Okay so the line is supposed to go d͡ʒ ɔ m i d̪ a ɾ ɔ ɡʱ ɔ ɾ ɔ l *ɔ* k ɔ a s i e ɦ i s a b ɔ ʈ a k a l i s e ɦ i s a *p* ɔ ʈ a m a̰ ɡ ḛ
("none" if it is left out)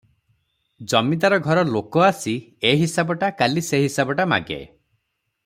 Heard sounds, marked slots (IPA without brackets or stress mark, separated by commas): o, b